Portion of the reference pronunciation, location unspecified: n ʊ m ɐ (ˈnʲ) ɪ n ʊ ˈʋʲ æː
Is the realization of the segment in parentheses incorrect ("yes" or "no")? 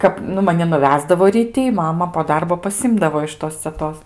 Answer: no